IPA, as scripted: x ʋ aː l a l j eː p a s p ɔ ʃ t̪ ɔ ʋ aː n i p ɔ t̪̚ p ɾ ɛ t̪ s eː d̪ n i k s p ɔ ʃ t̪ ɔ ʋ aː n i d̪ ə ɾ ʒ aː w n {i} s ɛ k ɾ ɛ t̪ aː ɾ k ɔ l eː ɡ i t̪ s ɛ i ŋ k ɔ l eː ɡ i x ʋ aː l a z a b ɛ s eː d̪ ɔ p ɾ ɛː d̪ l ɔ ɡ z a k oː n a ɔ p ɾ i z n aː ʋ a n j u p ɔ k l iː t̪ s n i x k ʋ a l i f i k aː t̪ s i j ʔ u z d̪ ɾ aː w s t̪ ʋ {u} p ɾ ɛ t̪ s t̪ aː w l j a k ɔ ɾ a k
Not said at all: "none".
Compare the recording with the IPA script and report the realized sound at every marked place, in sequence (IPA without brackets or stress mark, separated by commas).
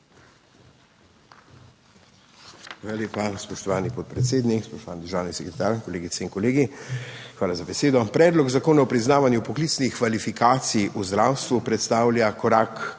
i, u